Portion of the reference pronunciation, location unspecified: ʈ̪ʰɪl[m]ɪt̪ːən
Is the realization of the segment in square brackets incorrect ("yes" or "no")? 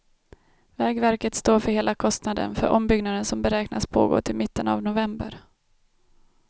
no